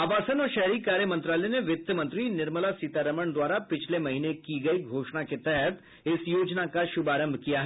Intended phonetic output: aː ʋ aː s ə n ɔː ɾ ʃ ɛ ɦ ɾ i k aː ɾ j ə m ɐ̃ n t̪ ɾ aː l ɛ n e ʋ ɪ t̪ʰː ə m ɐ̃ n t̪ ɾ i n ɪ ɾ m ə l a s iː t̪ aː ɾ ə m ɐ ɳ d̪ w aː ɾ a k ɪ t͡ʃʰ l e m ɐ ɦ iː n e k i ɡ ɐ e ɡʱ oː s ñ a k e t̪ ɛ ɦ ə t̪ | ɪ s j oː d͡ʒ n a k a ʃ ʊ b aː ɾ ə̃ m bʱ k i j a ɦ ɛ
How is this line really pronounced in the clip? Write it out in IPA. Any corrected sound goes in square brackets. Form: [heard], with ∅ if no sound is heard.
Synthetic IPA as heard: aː ʋ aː s ə n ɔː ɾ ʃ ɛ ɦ ɾ i k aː ɾ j ə m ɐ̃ n t̪ ɾ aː l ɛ n e ʋ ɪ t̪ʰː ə m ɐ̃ n t̪ ɾ i n ɪ ɾ m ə l a s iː t̪ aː ɾ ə m [ə] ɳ d̪ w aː ɾ a [p] ɪ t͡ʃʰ l e m ɐ ɦ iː n e k i ɡ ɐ [i] ɡʱ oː [ʃ] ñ a k e t̪ ɛ ɦ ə t̪ | ɪ s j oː d͡ʒ n a k a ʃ ʊ b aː ɾ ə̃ m bʱ k i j a ɦ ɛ

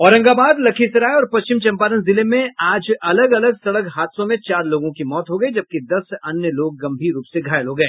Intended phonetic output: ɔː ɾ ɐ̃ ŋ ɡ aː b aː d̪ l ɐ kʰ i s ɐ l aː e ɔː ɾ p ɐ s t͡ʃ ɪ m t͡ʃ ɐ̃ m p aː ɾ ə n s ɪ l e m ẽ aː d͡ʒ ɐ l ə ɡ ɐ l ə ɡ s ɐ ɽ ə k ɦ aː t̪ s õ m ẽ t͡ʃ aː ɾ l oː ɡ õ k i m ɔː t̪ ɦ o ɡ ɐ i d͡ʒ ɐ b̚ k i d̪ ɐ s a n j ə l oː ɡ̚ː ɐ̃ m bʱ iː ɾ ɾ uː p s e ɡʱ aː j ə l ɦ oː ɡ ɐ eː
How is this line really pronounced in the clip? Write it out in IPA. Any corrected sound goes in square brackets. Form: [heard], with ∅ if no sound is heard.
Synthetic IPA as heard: ɔː ɾ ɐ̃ ŋ ɡ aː b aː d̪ l ɐ kʰ i s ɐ [ɾ] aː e ɔː ɾ p ɐ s t͡ʃ ɪ m t͡ʃ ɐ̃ m p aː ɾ ə n [z] ɪ l e m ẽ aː d͡ʒ ɐ l ə ɡ ɐ l ə ɡ s ɐ ɽ ə k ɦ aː t̪ s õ m ẽ t͡ʃ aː ɾ l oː ɡ õ k i m ɔː t̪ ɦ o ɡ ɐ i d͡ʒ ɐ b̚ k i d̪ ɐ s [ɐ] n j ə l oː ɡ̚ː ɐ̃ m bʱ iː ɾ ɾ uː p s e ɡʱ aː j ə l ɦ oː ɡ ɐ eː

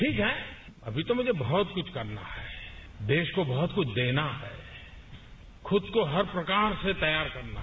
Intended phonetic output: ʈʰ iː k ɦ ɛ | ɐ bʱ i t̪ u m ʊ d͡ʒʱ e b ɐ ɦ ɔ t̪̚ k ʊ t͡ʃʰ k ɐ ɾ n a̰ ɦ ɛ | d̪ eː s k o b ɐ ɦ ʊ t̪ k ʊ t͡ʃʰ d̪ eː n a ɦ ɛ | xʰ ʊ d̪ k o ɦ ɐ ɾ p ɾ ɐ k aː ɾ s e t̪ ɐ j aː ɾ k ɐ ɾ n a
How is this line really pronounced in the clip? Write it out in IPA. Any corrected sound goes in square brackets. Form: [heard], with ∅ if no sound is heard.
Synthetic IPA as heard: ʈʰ iː k ɦ ɛ | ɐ bʱ i t̪ [o] m ʊ d͡ʒʱ e b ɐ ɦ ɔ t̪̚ k ʊ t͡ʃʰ k ɐ ɾ n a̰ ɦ ɛ | d̪ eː [ʃ] k o b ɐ ɦ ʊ t̪ k ʊ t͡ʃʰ d̪ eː n a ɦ ɛ | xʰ ʊ d̪ k o ɦ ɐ ɾ p ɾ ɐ k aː ɾ s e t̪ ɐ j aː ɾ k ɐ ɾ n a

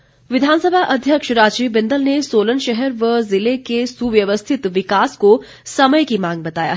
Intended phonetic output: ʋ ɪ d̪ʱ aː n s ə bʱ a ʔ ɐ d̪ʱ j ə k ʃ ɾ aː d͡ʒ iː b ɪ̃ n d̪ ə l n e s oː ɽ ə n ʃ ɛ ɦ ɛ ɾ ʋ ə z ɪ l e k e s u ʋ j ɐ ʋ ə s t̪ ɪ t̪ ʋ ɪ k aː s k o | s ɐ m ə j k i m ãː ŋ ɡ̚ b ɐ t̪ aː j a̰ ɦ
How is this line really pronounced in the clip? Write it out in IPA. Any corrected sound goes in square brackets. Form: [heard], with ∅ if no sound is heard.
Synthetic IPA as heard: ʋ ɪ d̪ʱ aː n s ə bʱ a ʔ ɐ d̪ʱ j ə k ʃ ɾ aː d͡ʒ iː b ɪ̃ n d̪ ə l n e s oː [l] ə n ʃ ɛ ɦ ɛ ɾ ʋ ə z ɪ l e k e s u ʋ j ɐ ʋ ə s [t̪ʰ] ɪ t̪ ʋ ɪ k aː s k o | s ɐ m ə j k i m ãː ŋ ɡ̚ b ɐ t̪ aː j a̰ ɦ

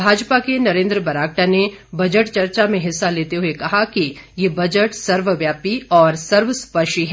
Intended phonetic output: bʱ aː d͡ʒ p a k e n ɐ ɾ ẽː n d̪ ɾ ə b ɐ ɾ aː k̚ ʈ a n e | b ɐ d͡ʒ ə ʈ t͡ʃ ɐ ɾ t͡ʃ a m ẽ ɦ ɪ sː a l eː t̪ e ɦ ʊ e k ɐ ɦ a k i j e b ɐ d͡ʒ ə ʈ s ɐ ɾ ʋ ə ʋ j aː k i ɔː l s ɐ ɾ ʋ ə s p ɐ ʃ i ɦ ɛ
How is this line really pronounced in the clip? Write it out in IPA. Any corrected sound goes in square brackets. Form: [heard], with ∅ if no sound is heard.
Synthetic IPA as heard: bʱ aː d͡ʒ p a k e n ɐ ɾ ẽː n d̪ ɾ ə b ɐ ɾ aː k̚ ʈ a n e | b ɐ d͡ʒ ə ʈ t͡ʃ ɐ ɾ t͡ʃ a m ẽ ɦ ɪ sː a l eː t̪ e ɦ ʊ e k ɐ ɦ a k i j e b ɐ d͡ʒ ə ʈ s ɐ ɾ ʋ ə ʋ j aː [p] i ɔː [ɾ] s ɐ ɾ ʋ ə s p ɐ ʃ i ɦ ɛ

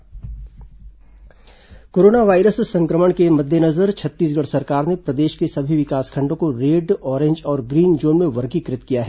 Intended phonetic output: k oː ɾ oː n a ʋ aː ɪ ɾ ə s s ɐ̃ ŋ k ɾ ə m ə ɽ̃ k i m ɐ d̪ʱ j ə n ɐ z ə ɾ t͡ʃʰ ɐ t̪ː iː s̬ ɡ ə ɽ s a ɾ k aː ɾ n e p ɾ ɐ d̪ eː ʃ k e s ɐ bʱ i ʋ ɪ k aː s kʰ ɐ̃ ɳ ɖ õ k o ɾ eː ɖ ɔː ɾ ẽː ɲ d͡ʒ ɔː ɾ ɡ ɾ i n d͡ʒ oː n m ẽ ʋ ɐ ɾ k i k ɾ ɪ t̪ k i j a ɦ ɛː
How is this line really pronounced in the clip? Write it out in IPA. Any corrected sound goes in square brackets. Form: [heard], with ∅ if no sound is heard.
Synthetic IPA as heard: k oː ɾ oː n a ʋ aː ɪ ɾ ə s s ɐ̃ ŋ k ɾ ə m ə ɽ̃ k [e] m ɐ d̪ʱ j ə n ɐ z ə ɾ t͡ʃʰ ɐ t̪ː iː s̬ ɡ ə ɽ s [ɐ] ɾ k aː ɾ n e p ɾ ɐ d̪ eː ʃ k e s ɐ bʱ i ʋ ɪ k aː s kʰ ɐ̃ ɳ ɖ õ k o ɾ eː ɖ ɔː ɾ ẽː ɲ d͡ʒ ɔː ɾ ɡ ɾ [iː] n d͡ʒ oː n m ẽ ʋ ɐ ɾ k i k ɾ ɪ t̪ k i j a ɦ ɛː

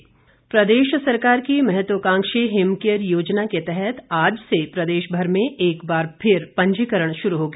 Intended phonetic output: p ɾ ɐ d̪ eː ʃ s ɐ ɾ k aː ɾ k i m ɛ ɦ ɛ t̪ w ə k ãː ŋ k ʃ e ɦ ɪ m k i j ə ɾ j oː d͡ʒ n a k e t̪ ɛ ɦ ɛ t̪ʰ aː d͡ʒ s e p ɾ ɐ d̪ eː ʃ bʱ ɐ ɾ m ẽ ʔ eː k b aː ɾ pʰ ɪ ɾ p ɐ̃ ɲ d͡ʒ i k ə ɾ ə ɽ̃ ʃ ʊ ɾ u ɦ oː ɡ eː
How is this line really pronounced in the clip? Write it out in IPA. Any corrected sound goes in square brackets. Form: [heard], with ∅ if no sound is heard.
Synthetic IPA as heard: p ɾ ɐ d̪ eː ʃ s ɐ ɾ k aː ɾ k i m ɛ ɦ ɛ t̪ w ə k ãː ŋ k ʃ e ɦ ɪ m k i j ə ɾ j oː d͡ʒ n a k e t̪ ɛ ɦ ɛ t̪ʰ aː d͡ʒ s e p ɾ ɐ d̪ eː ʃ bʱ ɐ ɾ m ẽ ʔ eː k b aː ɾ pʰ ɪ ɾ p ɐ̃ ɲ d͡ʒ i k ə ɾ ə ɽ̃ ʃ ʊ ɾ u ɦ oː ɡ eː

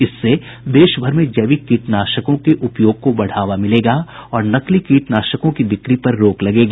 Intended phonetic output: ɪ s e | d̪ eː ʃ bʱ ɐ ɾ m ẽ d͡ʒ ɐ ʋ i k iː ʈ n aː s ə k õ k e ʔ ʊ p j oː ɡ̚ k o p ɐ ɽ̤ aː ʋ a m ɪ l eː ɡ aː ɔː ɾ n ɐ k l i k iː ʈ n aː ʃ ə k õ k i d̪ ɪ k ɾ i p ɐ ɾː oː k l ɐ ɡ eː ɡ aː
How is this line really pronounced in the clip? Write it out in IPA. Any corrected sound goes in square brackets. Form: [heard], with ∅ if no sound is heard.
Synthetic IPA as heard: ɪ [sː] e | d̪ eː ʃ bʱ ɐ ɾ m ẽ d͡ʒ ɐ ʋ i k iː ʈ n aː [ʃ] ə k õ k e ʔ ʊ p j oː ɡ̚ k o [b] ɐ ɽ̤ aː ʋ a m ɪ l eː ɡ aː ɔː ɾ n ɐ k l i k iː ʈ n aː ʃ ə k õ k i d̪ ɪ k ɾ i p ɐ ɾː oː k l ɐ ɡ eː ɡ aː

